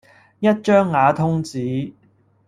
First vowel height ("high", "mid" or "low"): low